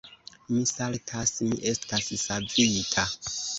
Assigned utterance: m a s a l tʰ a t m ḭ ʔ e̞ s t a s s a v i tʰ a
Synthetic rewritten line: m i s a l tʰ a s m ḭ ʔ e̞ s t a s s a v i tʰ a